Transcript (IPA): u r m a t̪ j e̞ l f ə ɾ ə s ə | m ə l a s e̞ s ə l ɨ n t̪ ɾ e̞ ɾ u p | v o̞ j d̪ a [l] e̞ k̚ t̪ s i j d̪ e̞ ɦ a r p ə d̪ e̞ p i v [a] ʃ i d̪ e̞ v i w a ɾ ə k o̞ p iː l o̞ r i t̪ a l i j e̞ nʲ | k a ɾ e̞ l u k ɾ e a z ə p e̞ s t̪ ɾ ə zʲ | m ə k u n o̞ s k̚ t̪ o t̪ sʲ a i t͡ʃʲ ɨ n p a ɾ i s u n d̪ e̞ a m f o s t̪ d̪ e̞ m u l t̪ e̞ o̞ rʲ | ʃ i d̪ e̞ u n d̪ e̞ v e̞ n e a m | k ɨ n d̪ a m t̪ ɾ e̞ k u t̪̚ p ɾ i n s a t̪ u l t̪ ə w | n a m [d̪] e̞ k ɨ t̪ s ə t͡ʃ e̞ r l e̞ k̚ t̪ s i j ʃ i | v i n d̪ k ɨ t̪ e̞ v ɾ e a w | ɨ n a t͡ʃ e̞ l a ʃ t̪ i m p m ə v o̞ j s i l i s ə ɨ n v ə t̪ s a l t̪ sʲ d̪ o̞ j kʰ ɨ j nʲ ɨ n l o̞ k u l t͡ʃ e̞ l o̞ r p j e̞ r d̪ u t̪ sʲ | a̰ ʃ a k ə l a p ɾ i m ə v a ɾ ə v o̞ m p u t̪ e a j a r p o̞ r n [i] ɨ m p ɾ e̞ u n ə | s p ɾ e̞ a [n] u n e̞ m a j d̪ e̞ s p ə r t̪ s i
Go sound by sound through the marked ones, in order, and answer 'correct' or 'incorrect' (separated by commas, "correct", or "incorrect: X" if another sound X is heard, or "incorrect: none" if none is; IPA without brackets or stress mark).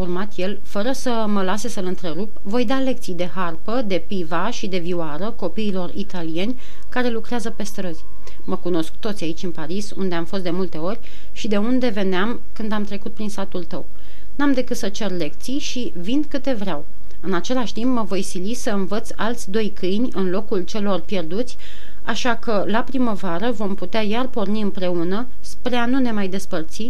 correct, correct, correct, correct, correct